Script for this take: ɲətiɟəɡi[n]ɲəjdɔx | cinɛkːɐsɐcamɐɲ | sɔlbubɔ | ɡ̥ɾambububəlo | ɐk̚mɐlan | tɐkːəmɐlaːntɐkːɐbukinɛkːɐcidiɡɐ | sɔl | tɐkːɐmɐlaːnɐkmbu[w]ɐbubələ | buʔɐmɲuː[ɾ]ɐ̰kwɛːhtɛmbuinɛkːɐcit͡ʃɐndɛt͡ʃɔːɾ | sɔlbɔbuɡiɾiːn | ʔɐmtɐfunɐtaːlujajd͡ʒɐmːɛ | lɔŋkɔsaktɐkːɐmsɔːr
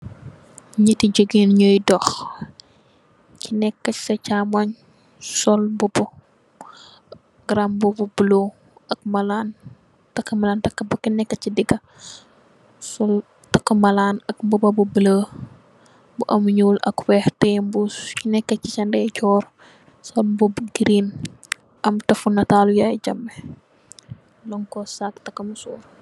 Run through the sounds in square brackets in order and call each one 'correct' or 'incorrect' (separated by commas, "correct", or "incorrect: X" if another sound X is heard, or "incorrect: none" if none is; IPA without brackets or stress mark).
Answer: correct, incorrect: b, incorrect: l